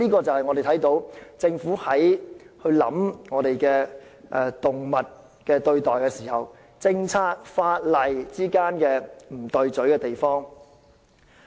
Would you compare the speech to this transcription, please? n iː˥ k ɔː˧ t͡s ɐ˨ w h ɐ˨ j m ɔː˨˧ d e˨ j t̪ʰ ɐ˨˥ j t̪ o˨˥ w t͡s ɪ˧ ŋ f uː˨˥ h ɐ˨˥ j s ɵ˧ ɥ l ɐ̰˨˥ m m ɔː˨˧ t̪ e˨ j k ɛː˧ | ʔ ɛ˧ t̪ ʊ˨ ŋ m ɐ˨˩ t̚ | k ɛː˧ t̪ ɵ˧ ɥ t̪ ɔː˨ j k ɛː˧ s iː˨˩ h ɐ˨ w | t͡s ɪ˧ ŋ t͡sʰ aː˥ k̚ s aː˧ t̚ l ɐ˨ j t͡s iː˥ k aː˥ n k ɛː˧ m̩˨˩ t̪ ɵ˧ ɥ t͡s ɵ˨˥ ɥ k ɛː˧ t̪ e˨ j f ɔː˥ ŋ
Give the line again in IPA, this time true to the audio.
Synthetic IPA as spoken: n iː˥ k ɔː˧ t͡s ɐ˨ w h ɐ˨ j ŋ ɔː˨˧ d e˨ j t̪ʰ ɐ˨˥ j t̪ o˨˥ w t͡s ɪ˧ ŋ f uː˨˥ h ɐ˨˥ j h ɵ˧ ɥ l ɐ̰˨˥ m ŋ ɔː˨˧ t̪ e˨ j k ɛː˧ | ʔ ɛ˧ t̪ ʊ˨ ŋ m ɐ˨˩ t̚ | k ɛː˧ t̪ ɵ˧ ɥ t̪ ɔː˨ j k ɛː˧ s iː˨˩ h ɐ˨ w | t͡s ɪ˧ ŋ t͡sʰ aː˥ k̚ f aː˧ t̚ l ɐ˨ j t͡s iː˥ k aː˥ n k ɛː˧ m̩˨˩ t̪ ɵ˧ ɥ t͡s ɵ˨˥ ɥ k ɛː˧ t̪ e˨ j f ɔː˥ ŋ